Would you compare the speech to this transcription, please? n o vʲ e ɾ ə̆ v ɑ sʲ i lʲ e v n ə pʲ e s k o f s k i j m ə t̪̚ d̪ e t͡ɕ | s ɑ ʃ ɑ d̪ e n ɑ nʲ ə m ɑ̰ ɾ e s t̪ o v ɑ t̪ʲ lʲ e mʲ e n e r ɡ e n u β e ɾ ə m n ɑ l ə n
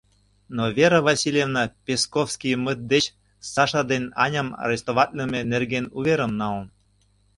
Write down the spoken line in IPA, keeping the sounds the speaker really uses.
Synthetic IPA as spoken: n o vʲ e ɾ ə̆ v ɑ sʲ i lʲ e v n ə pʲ e s k o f s k i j m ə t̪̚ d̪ e t͡ɕ | s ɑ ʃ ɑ d̪ e n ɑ nʲ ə m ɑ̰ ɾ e s t̪ o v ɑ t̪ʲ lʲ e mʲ e n e r ɡ e n u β e ɾ ə m n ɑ l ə n